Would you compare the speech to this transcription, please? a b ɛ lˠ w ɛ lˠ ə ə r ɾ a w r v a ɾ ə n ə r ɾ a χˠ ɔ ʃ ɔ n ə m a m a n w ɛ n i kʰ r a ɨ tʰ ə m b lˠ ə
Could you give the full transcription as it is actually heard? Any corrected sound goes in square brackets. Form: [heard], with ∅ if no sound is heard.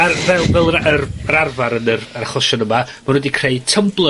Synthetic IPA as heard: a [v] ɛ lˠ [v] ɛ lˠ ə ə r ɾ a [∅] r v a ɾ ə n ə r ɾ a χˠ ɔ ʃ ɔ n ə m a m a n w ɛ [d] i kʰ r [e] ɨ tʰ ə m b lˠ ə